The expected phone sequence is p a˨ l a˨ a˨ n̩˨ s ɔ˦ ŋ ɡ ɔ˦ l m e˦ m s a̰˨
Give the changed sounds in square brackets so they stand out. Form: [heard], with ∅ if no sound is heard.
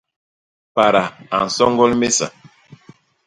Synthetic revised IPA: p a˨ [ɾ] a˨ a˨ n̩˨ s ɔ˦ ŋ ɡ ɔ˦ l m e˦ [∅] s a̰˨